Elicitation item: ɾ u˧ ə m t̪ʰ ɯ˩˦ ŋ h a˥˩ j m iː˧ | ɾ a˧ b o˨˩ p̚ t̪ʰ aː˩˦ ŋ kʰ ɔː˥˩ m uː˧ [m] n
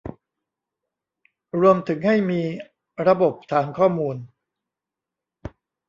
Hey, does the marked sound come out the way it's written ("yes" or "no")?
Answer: no